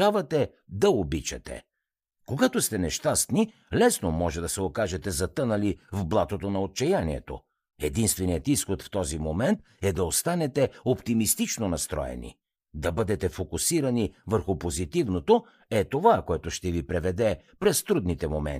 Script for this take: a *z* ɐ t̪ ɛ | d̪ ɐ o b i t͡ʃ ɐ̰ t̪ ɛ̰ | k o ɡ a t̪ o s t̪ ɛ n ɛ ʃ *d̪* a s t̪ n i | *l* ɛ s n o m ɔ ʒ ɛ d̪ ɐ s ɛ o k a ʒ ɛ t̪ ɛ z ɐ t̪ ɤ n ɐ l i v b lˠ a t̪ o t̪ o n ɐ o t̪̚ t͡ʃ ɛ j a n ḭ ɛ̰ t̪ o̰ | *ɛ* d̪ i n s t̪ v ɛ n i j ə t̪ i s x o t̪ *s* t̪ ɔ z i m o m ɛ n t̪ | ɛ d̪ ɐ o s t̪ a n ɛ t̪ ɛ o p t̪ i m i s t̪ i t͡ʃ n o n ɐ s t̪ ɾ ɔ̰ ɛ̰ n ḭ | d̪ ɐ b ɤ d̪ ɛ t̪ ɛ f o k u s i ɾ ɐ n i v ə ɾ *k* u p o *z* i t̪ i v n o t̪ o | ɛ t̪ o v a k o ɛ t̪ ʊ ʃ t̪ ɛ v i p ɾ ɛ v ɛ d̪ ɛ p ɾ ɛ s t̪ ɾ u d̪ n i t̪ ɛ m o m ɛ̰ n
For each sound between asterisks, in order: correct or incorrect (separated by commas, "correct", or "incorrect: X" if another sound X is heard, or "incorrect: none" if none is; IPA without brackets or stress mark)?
incorrect: v, incorrect: t̪, correct, correct, incorrect: f, incorrect: x, correct